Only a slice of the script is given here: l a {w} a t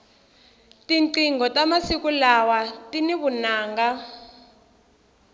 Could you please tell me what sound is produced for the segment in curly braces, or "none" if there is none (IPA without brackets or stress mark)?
w